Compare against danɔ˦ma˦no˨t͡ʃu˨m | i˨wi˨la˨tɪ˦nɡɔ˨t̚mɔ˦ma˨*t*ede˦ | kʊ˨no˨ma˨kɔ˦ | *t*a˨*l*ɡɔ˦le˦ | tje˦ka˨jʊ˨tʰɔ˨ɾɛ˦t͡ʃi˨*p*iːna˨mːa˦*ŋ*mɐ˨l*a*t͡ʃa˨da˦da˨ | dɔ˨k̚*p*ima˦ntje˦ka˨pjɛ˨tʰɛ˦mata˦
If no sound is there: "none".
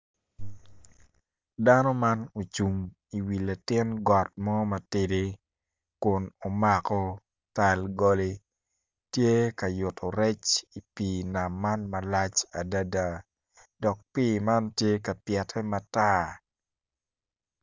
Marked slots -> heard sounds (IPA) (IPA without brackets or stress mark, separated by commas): t, t, l, p, n, a, p